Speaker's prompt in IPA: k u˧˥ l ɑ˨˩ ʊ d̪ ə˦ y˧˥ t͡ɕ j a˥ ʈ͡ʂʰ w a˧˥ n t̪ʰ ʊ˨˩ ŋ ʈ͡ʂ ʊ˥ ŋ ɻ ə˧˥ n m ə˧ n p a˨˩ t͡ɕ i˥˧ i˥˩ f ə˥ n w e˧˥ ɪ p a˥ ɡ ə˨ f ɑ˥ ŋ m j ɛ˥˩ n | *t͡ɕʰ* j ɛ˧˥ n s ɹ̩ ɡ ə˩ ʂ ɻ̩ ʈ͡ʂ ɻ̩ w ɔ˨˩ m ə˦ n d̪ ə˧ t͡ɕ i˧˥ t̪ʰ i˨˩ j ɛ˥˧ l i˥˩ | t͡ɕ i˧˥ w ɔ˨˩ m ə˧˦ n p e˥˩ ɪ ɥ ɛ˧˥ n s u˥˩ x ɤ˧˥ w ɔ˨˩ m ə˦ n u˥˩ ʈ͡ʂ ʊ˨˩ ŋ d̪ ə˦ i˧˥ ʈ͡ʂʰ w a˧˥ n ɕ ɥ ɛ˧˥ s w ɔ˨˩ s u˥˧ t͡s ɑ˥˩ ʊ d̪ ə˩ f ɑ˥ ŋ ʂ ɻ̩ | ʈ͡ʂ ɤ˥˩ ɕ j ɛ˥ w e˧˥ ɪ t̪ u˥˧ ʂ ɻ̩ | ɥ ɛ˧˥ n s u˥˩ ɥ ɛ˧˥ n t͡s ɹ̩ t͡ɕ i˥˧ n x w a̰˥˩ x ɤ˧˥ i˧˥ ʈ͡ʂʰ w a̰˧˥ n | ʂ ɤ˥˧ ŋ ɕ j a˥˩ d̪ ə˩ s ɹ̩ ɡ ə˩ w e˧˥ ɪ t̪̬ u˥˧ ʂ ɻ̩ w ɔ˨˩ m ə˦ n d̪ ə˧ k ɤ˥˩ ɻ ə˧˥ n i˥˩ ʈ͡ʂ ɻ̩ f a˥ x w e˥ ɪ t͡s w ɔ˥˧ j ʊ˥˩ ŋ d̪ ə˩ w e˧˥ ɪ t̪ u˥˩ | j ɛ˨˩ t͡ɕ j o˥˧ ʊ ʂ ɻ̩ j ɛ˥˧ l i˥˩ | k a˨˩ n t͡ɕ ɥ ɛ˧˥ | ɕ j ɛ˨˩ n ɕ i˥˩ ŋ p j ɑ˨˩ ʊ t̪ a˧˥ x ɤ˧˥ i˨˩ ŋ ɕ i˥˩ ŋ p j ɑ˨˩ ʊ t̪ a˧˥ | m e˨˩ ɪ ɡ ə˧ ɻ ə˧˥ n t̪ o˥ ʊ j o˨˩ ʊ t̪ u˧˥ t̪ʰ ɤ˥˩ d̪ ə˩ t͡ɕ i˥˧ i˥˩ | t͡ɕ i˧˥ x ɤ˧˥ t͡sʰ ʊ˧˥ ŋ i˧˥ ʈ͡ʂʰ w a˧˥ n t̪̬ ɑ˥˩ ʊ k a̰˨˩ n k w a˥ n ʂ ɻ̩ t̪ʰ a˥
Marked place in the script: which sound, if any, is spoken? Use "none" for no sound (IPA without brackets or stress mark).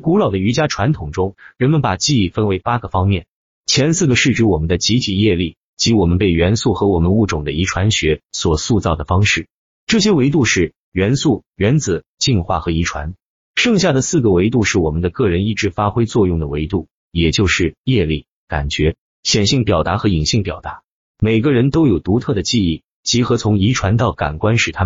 t͡ɕʰ